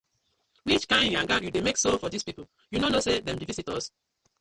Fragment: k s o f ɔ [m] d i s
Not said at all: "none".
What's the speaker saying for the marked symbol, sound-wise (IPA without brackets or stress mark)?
none